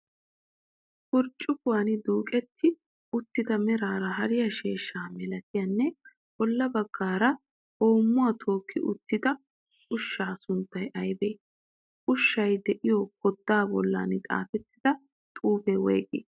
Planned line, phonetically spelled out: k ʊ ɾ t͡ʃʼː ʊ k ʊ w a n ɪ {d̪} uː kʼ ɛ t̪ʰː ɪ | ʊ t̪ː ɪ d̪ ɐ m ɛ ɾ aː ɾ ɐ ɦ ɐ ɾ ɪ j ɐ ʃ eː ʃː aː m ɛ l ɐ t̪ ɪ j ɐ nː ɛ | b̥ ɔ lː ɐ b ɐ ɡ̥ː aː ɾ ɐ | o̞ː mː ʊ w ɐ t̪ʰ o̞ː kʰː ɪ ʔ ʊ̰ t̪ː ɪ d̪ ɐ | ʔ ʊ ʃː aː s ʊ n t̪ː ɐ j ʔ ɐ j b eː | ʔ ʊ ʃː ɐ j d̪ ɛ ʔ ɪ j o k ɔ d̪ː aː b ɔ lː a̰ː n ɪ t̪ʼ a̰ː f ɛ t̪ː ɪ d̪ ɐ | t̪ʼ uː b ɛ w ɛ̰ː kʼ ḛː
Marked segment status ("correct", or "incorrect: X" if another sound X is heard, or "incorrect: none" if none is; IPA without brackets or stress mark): correct